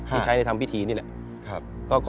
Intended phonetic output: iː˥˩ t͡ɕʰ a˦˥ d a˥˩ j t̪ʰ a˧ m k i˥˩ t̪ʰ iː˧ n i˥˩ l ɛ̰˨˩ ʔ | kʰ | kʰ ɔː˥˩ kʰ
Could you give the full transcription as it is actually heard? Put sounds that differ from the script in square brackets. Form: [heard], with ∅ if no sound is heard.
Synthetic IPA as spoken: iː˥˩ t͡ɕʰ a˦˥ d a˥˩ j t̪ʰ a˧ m [p] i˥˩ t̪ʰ iː˧ n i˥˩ l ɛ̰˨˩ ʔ | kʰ | [k] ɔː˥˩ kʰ